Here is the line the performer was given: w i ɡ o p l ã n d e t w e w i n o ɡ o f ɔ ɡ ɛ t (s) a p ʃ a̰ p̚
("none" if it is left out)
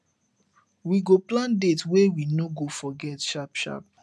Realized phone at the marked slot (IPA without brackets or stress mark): ʃ